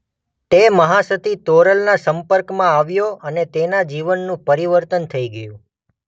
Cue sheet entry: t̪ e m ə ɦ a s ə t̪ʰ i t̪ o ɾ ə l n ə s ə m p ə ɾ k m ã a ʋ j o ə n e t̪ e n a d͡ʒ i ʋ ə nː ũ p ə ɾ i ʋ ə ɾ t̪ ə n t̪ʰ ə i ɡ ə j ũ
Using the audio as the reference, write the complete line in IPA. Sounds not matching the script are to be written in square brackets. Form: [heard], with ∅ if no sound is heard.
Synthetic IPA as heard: t̪ e m ə ɦ a s ə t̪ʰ i t̪ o ɾ ə l n [a] s ə m p ə ɾ k m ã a ʋ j o ə n e t̪ e n a d͡ʒ i ʋ ə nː ũ p ə ɾ i ʋ ə ɾ t̪ ə n t̪ʰ ə i ɡ ə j ũ